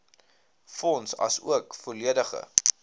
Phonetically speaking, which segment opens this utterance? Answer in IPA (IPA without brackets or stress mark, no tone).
f